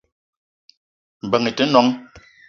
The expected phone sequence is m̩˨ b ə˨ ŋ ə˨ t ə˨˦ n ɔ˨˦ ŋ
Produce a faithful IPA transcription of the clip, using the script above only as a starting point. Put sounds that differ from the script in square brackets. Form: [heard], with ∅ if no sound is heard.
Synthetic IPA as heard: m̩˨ b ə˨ ŋ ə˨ t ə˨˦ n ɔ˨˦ ŋ